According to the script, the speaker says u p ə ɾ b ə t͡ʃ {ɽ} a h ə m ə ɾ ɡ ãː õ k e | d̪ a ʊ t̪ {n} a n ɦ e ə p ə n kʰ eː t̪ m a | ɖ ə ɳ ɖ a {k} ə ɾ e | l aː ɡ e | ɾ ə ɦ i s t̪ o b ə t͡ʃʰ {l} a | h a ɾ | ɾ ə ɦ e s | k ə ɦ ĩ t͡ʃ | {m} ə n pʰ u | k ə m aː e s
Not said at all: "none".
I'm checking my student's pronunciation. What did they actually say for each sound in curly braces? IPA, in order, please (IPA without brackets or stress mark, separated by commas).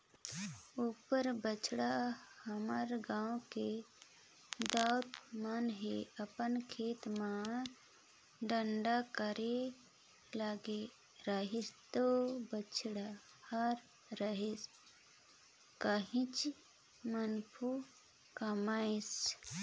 ɽ, m, k, ɽ, m